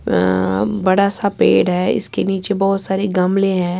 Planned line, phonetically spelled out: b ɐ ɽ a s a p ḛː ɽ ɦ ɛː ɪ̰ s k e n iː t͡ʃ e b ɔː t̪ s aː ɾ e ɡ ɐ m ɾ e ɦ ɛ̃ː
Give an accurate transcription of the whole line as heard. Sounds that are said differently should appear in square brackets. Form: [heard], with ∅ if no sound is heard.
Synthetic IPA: b ɐ ɽ a s a p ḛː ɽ ɦ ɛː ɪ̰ s k e n iː t͡ʃ e b ɔː t̪ s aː ɾ e ɡ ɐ m [l] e ɦ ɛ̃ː